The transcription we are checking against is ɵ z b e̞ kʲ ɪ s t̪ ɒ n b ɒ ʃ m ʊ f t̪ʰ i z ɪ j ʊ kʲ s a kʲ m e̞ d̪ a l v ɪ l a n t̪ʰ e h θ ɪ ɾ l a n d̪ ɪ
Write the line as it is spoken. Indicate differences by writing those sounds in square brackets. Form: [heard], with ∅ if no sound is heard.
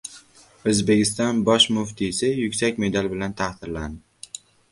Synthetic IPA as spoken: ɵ z b e̞ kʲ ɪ s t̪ ɒ n b ɒ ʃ m ʊ f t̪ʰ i [s] ɪ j ʊ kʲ s a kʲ m e̞ d̪ a l [b] ɪ l a n t̪ʰ [a] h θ ɪ ɾ l a n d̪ ɪ